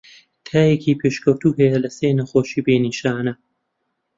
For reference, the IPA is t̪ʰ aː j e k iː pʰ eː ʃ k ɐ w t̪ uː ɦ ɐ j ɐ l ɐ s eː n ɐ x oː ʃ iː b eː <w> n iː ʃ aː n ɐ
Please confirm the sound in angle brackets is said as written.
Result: no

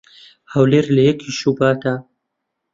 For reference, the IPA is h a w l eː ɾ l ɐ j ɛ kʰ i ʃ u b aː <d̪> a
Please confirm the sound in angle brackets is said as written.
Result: no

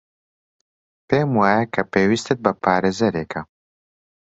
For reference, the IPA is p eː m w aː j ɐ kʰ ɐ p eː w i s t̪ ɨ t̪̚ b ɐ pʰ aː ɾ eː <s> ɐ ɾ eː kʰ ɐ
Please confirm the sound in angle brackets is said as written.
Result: no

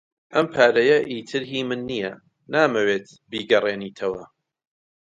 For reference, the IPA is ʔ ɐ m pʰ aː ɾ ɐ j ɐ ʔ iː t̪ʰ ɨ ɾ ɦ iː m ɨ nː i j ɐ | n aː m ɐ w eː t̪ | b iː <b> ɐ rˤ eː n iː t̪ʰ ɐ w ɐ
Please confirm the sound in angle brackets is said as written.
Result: no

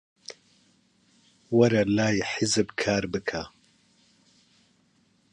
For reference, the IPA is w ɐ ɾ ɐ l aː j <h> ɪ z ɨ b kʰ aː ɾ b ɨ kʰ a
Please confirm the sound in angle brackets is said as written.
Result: no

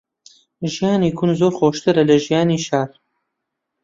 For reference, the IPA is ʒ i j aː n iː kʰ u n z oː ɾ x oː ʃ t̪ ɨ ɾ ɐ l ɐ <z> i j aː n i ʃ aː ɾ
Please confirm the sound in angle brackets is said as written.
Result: no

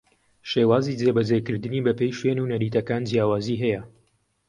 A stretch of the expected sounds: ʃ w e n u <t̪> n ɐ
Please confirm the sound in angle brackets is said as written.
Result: no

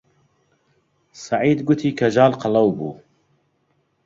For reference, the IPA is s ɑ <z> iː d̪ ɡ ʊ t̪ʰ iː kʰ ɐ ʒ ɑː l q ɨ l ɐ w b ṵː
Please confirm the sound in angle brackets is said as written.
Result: no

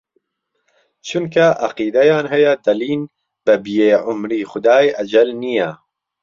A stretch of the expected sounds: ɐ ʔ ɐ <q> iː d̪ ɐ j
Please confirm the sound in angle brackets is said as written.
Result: yes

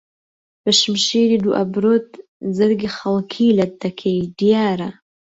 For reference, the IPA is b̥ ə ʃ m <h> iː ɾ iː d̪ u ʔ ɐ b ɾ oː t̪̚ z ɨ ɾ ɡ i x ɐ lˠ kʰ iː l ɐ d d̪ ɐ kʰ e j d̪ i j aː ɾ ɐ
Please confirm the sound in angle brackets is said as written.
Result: no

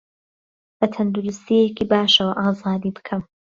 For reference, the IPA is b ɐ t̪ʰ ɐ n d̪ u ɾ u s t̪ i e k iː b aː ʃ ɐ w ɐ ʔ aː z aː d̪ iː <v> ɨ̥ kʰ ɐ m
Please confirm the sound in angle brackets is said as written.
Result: no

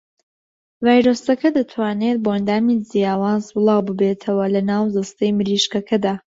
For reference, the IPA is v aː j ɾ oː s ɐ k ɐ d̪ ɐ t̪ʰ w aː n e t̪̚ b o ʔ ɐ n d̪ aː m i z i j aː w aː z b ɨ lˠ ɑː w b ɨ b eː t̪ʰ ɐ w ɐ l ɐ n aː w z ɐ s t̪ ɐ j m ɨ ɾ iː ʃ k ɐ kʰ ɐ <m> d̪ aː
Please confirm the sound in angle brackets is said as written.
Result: no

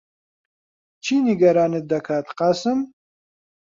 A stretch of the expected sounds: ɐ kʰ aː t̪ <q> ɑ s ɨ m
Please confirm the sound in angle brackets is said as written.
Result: yes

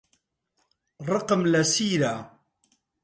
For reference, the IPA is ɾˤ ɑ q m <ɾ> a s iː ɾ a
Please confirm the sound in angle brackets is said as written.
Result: no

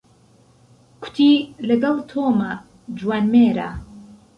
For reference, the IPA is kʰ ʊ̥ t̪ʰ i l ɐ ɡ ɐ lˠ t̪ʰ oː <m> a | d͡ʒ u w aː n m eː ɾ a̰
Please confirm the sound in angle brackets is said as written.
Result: yes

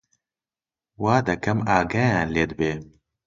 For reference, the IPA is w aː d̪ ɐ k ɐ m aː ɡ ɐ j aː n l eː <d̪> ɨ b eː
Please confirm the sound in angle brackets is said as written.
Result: yes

